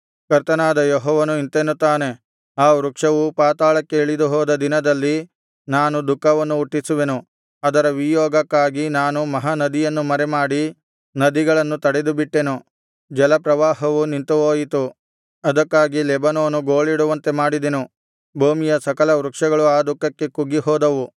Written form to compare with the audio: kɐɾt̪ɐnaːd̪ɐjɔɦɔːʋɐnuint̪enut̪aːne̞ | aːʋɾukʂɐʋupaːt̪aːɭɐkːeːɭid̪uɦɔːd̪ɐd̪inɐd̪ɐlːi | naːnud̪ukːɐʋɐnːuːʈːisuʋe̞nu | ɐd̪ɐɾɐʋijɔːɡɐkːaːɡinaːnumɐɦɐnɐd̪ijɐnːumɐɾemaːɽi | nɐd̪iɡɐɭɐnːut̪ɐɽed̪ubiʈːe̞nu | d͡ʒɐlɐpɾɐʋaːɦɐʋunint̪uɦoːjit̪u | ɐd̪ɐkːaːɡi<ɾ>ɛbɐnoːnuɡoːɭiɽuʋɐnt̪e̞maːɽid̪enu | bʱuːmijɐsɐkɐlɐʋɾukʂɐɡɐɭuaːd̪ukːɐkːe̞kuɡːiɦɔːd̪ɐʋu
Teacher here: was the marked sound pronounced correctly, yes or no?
no